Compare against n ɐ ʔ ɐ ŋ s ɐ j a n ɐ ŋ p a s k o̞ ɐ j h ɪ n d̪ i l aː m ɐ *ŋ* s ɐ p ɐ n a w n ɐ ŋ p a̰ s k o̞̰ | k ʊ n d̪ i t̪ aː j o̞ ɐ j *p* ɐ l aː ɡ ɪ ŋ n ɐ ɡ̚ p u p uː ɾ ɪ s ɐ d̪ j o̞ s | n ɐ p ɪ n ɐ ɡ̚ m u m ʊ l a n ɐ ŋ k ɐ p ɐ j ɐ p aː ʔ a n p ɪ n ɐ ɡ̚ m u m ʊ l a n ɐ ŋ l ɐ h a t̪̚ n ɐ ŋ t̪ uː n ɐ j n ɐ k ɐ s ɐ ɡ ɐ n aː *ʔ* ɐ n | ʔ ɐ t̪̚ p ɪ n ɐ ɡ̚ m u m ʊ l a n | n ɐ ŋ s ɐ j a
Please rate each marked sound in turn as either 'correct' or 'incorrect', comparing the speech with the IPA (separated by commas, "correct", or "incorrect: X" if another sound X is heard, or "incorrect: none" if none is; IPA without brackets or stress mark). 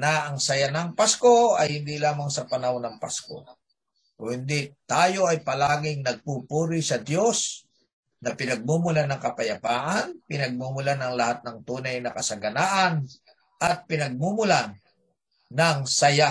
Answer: correct, correct, correct